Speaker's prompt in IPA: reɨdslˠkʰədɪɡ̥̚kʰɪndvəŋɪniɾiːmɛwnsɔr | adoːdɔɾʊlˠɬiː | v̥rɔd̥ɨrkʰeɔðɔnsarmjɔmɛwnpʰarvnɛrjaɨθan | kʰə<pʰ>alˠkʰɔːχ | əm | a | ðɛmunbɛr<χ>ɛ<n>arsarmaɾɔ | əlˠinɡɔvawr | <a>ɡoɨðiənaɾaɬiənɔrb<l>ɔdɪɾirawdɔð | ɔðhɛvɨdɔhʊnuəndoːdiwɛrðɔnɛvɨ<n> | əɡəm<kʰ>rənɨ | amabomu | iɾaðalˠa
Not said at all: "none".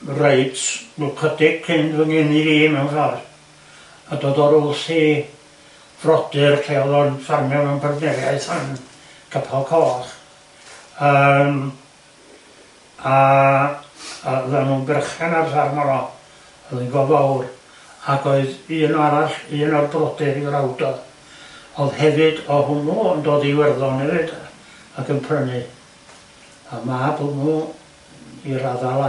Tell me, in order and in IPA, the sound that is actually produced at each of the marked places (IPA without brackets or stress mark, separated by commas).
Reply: pʰ, χ, n, a, r, d, pʰ